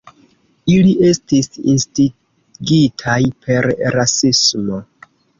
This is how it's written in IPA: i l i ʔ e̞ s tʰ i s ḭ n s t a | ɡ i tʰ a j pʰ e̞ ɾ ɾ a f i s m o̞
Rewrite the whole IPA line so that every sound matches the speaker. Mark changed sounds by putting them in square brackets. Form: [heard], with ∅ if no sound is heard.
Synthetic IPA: i l i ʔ e̞ s [t] i s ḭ n s t [i] | ɡ i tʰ a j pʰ e̞ ɾ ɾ a [s] i s m o̞